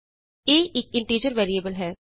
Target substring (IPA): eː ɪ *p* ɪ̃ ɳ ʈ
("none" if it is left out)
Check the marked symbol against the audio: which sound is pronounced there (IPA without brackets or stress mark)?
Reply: k